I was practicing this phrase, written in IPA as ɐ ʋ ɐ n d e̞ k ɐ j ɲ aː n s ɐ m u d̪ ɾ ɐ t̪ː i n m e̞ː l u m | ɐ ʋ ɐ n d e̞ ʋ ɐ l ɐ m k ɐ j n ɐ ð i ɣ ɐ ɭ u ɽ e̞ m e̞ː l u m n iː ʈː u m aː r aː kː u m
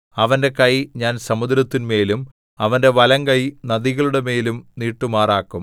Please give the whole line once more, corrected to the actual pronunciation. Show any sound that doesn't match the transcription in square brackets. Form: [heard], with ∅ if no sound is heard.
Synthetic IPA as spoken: ɐ ʋ ɐ n d e̞ k ɐ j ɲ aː n s ɐ m u d̪ ɾ ɐ t̪ː i n m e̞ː l u m | ɐ ʋ ɐ n d e̞ ʋ ɐ l ɐ [ŋ] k ɐ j n ɐ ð i ɣ ɐ ɭ u ɽ e̞ m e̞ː l u m n iː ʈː u m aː r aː kː u m

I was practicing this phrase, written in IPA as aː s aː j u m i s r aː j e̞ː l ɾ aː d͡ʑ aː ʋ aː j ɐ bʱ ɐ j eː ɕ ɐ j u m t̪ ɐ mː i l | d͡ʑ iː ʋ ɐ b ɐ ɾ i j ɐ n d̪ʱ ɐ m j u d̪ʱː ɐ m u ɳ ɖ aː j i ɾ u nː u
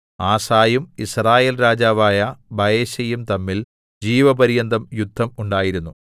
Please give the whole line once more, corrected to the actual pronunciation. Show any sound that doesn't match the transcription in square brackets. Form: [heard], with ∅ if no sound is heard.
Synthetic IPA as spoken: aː s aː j u m i s r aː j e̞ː l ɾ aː d͡ʑ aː ʋ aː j ɐ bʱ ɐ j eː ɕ ɐ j u m t̪ ɐ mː i l | d͡ʑ iː ʋ ɐ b ɐ ɾ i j ɐ n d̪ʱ ɐ m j u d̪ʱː ɐ m u ɳ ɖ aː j i ɾ u nː u

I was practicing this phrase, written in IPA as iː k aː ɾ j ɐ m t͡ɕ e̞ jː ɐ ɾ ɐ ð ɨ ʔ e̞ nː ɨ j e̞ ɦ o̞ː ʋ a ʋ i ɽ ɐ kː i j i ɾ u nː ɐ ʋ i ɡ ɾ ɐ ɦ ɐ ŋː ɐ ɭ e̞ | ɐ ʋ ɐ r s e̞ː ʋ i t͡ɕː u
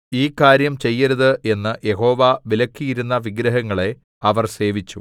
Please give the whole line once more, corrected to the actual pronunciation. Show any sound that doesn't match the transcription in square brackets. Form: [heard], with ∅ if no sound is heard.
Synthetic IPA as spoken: iː k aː ɾ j ɐ m t͡ɕ e̞ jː ɐ ɾ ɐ ð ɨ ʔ e̞ nː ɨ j e̞ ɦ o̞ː ʋ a ʋ i [l] ɐ kː i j i ɾ u nː ɐ ʋ i ɡ ɾ ɐ ɦ ɐ ŋː ɐ ɭ e̞ | ɐ ʋ ɐ r s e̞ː ʋ i t͡ɕː u

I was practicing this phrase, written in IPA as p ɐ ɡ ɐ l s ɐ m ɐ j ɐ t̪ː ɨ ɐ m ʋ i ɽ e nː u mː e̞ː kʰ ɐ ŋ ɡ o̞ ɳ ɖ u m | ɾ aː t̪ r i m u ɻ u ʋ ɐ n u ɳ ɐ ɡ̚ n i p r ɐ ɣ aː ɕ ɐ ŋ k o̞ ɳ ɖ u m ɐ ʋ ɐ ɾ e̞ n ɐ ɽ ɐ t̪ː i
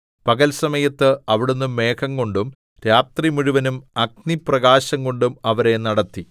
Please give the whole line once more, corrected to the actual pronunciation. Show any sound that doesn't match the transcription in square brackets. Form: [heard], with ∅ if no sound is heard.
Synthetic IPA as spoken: p ɐ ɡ ɐ l s ɐ m ɐ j ɐ t̪ː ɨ ɐ [∅] ʋ i ɽ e nː u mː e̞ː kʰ ɐ ŋ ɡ o̞ ɳ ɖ u m | ɾ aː t̪ r i m u ɻ u ʋ ɐ n u [m] ɐ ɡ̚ n i p r ɐ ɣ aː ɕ ɐ ŋ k o̞ ɳ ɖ u m ɐ ʋ ɐ ɾ e̞ n ɐ ɽ ɐ t̪ː i

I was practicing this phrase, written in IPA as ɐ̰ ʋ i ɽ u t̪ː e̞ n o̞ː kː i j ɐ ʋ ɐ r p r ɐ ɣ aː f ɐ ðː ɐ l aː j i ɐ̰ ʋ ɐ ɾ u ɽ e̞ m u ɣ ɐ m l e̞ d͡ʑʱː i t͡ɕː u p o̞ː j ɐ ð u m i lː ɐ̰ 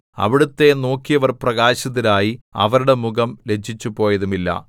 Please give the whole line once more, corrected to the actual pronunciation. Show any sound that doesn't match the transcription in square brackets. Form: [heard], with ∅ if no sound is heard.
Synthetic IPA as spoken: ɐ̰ ʋ i ɽ u t̪ː e̞ n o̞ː kː i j ɐ ʋ ɐ r p r ɐ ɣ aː [ɕ] ɐ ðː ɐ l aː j i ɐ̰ ʋ ɐ ɾ u ɽ e̞ m u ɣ ɐ m l e̞ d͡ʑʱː i t͡ɕː u p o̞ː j ɐ ð u m i lː ɐ̰

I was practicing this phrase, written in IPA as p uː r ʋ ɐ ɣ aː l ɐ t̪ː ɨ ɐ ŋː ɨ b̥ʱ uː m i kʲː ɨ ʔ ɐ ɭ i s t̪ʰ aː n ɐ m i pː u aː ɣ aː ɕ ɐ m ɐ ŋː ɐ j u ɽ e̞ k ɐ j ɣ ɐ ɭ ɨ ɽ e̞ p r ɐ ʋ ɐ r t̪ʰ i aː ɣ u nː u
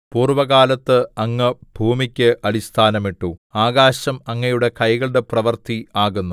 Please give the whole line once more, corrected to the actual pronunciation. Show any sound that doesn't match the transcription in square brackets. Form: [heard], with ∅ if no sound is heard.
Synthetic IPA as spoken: p uː r ʋ ɐ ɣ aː l ɐ t̪ː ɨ ɐ ŋː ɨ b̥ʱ uː m i kʲː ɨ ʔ ɐ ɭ i s t̪ʰ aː n ɐ m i [ʈː] u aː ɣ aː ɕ ɐ m ɐ ŋː ɐ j u ɽ e̞ k ɐ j ɣ ɐ ɭ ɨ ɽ e̞ p r ɐ ʋ ɐ r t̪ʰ i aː ɣ u nː u

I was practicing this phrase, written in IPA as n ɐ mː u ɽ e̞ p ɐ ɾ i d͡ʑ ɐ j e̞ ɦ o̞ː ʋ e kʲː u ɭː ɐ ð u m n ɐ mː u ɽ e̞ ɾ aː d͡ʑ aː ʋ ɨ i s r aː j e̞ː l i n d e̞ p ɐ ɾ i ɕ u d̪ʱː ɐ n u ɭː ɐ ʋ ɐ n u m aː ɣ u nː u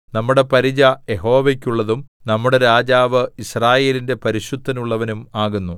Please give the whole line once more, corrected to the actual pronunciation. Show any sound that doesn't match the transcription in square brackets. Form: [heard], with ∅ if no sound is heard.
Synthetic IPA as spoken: n ɐ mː u ɽ e̞ p ɐ ɾ i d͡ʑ ɐ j e̞ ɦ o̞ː ʋ e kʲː u ɭː ɐ ð u m n ɐ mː u ɽ e̞ ɾ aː d͡ʑ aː ʋ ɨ i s r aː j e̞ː l i n d e̞ p ɐ ɾ i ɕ u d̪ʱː ɐ n u ɭː ɐ ʋ ɐ n u m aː ɣ u nː u

